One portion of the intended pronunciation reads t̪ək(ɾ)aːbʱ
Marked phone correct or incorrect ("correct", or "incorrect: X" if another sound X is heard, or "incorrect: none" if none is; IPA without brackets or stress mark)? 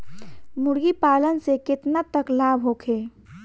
incorrect: l